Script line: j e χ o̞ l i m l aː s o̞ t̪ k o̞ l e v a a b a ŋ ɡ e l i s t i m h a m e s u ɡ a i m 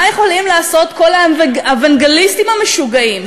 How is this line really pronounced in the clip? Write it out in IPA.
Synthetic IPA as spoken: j e χ o̞ l i m l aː s o̞ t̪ k o̞ l a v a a v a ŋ ɡ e l i s t i m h a m e ʃ u ɡ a i m